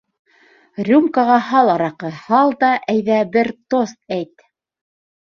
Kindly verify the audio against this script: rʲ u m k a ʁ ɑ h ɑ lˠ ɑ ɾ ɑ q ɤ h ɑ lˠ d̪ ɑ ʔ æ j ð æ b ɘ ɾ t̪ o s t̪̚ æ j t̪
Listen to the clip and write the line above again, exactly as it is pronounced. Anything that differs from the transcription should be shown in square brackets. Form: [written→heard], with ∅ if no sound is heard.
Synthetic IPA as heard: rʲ u m k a ʁ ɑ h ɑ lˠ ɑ ɾ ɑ q ɤ h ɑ lˠ d̪ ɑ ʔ æ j ð æ b ɘ ɾ t̪ o s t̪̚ æ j t̪